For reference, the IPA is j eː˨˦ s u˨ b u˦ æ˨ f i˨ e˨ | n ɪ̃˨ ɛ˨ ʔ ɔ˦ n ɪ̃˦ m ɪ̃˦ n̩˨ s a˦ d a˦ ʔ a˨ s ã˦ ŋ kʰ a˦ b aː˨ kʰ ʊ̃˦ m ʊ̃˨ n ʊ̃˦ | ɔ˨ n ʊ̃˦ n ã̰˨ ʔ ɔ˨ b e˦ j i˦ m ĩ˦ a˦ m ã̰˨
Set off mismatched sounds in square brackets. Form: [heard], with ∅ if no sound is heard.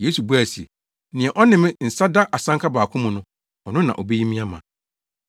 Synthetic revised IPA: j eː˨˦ s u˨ b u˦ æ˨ [s] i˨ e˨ | n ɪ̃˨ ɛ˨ ʔ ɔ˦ n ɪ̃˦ m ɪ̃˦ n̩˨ s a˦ d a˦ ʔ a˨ s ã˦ ŋ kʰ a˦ b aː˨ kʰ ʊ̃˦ m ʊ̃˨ n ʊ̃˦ | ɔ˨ n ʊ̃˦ n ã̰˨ ʔ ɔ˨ b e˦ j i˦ m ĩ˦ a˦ m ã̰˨

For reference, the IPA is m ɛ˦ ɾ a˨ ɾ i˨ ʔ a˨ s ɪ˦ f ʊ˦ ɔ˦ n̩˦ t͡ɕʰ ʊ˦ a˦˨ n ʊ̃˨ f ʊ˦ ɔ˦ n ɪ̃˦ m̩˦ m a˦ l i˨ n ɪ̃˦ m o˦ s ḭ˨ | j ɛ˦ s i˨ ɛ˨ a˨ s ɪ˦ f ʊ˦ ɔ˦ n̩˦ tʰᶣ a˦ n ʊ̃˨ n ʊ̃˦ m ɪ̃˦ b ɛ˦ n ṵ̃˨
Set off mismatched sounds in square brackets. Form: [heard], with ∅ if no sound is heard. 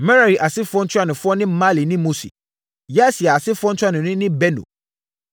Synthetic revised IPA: m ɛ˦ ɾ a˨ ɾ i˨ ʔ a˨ s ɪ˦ f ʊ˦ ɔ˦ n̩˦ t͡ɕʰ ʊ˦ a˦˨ n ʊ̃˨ f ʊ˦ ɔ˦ n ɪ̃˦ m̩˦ m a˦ l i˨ n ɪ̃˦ m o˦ s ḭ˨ | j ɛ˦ s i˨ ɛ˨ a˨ s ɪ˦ f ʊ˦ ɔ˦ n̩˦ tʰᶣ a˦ n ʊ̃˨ n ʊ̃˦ [n] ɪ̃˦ b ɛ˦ n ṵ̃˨

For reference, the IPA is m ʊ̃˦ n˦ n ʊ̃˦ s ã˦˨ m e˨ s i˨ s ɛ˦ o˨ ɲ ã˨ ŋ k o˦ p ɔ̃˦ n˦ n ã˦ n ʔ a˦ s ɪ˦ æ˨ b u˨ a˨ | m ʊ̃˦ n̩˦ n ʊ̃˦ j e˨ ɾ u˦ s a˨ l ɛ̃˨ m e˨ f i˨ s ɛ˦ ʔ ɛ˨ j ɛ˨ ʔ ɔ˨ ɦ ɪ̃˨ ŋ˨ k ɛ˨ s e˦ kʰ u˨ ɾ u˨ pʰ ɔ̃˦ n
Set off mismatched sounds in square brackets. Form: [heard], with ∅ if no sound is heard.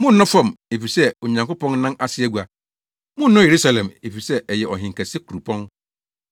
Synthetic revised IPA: m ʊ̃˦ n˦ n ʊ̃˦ [f] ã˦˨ m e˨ [f] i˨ s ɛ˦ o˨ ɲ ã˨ ŋ k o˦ p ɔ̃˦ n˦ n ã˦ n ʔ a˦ s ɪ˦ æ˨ [ɡ] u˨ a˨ | m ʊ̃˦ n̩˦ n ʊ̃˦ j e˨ ɾ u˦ s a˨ l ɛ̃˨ m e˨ f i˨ s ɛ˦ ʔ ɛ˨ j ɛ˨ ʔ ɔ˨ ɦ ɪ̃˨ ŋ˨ k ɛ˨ s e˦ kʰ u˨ ɾ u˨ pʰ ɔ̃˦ n

